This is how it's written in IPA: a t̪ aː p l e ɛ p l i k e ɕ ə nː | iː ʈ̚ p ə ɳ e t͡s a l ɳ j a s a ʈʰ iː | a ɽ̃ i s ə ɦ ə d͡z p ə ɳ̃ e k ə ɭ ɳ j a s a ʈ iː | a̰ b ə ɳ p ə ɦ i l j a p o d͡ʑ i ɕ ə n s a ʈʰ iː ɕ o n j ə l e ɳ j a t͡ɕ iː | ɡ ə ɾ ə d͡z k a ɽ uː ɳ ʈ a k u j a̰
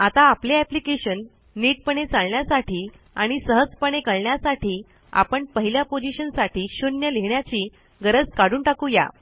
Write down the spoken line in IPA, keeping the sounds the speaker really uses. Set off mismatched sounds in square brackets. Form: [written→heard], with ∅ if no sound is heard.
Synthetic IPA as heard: a t̪ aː p l e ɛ p l i k e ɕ ə nː | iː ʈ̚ p ə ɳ e t͡s a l ɳ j a s a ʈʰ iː | a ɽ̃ i s ə ɦ ə d͡z p ə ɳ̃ e k ə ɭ ɳ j a s a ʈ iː | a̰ [b→p] ə ɳ p ə ɦ i l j a p o d͡ʑ i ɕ ə n s a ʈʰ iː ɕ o n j ə l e ɳ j a t͡ɕ iː | ɡ ə ɾ ə d͡z k a ɽ uː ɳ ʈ a k u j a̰